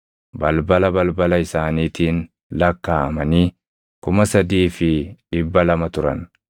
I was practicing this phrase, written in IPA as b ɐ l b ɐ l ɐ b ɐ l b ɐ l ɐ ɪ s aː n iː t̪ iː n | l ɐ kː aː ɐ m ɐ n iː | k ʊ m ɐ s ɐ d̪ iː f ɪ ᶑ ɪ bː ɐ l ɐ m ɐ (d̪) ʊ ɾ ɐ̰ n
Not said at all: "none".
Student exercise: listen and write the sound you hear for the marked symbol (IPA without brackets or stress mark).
t̪